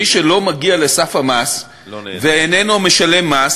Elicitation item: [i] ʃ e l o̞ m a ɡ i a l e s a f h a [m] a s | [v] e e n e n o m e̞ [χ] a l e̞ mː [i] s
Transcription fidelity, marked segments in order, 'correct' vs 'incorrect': correct, correct, correct, incorrect: ʃ, incorrect: a

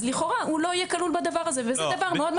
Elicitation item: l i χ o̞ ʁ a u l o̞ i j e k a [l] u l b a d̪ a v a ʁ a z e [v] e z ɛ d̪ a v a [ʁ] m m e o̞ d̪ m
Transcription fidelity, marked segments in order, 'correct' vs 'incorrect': correct, correct, correct

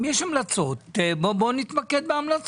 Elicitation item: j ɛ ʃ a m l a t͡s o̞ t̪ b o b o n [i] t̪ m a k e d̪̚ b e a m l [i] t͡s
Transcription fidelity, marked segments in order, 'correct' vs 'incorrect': correct, incorrect: a

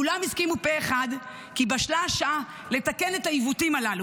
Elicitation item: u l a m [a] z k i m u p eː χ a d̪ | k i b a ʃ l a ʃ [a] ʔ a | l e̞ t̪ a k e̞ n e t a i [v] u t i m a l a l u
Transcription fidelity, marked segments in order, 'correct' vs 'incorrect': incorrect: i, correct, correct

